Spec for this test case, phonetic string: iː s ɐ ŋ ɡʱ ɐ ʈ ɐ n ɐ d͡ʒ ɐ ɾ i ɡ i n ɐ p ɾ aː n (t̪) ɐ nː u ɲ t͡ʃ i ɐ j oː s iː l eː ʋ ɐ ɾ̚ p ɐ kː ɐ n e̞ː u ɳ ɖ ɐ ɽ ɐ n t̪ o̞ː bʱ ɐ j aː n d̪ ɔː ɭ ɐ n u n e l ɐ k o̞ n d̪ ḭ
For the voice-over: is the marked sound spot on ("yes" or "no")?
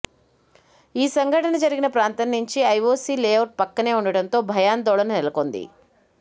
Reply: yes